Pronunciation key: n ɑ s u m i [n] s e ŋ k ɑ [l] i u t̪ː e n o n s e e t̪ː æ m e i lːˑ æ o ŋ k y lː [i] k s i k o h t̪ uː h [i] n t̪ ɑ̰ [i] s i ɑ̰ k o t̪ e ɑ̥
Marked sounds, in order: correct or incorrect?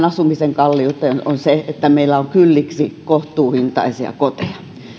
incorrect, incorrect, correct, correct, correct

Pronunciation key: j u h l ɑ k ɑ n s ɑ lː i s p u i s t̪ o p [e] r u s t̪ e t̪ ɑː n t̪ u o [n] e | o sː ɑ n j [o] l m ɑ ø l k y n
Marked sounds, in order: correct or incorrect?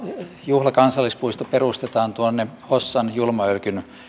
correct, incorrect, incorrect

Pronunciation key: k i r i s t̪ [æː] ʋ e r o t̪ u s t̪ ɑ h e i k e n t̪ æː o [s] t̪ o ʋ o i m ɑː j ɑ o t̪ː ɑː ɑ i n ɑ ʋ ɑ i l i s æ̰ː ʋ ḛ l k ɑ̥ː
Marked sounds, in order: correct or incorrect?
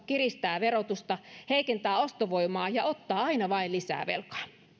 correct, correct

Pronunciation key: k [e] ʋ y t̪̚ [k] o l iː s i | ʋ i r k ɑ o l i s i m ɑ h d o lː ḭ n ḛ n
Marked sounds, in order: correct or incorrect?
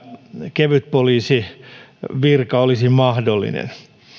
correct, incorrect

